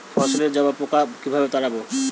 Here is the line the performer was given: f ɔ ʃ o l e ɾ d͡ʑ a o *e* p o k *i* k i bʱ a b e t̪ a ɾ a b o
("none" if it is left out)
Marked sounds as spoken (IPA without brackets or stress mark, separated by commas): a, a